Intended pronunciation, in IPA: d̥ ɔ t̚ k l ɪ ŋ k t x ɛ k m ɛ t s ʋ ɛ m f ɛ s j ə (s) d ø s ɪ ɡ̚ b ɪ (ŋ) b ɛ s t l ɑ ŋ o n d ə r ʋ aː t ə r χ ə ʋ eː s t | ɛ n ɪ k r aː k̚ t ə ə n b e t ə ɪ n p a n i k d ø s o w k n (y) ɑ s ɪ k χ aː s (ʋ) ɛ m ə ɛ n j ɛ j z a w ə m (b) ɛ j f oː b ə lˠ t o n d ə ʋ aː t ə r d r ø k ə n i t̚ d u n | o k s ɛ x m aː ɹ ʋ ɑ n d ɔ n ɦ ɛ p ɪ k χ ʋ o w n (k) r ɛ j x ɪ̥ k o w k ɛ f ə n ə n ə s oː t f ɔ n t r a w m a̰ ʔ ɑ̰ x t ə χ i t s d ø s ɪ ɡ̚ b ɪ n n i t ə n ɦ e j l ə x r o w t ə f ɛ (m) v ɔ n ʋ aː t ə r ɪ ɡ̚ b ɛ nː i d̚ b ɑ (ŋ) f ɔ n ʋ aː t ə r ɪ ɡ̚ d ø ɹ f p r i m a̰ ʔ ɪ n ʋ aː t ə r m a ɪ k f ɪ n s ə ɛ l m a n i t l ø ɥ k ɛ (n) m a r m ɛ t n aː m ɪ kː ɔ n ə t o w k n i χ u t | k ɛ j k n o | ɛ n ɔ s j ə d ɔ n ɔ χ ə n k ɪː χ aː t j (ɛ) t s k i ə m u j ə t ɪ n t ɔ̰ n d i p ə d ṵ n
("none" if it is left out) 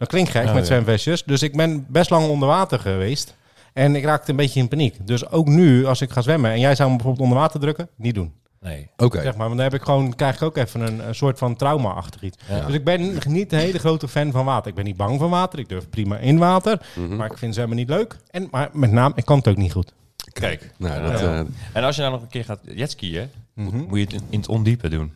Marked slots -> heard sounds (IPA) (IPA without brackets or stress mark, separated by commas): s, n, y, ʋ, b, k, n, ŋ, n, ɛ